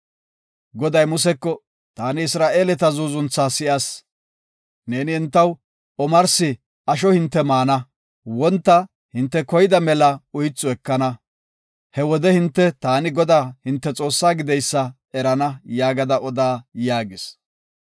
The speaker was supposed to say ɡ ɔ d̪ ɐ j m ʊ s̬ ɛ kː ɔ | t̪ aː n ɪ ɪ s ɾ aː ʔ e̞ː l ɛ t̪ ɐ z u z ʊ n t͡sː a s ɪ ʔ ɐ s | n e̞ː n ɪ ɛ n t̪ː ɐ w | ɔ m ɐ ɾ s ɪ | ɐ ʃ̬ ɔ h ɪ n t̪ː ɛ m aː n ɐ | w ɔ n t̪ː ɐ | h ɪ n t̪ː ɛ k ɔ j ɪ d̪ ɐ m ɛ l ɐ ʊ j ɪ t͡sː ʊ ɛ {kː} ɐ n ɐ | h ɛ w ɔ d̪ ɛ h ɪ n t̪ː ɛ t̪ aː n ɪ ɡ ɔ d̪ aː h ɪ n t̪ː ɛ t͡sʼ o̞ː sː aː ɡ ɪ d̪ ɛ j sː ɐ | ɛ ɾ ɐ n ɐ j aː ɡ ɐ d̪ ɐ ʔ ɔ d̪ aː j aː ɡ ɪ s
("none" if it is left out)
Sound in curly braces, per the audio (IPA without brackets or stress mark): kː